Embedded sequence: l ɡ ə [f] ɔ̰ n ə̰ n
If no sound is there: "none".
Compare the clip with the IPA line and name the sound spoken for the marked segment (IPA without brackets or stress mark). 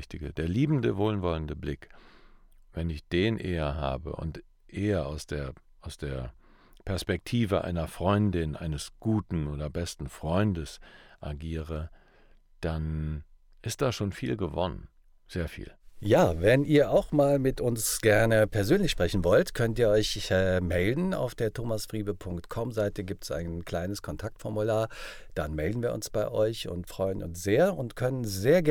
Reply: v